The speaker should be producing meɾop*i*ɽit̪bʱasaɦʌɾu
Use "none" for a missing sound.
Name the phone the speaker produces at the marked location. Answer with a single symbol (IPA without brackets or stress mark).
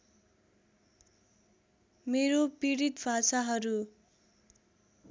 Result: i